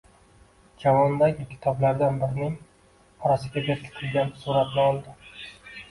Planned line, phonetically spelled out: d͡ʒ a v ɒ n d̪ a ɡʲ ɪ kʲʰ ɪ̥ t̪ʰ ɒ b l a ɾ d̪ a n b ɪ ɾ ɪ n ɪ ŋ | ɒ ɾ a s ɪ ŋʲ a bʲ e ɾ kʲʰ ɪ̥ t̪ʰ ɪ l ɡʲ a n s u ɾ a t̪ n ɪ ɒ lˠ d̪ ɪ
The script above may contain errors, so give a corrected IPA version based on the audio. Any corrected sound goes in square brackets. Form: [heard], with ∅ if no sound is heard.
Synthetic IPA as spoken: d͡ʒ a v ɒ n d̪ a ɡʲ ɪ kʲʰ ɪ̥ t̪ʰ ɒ b l a ɾ d̪ a n b ɪ ɾ ɪ n ɪ ŋ | ɒ ɾ a s ɪ [ɡʲ] a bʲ e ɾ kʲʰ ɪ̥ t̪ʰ ɪ l ɡʲ a n s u ɾ a t̪ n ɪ ɒ lˠ d̪ ɪ